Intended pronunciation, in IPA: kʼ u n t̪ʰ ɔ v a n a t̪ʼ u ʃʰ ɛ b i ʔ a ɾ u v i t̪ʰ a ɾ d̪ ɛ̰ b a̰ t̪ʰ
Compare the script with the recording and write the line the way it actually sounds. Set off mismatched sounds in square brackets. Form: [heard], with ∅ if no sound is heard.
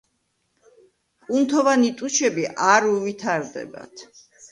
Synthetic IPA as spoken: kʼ u n t̪ʰ ɔ v a n [i] t̪ʼ u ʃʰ ɛ b i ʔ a ɾ u v i t̪ʰ a ɾ d̪ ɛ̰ b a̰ t̪ʰ